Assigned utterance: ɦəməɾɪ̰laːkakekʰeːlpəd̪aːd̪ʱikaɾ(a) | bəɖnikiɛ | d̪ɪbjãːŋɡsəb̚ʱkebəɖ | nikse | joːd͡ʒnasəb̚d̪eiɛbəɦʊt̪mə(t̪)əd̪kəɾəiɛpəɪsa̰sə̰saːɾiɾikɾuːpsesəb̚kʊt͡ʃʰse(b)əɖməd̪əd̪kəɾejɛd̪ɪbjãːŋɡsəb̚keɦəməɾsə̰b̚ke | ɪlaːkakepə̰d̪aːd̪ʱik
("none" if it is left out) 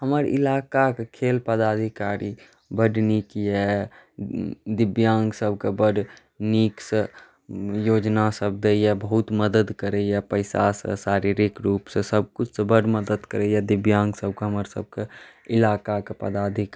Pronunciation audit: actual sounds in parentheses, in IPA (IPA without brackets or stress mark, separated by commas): i, d̪, b